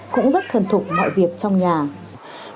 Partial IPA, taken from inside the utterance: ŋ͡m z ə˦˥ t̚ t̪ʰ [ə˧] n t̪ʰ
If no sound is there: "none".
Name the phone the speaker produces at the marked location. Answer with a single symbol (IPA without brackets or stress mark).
ə˨˩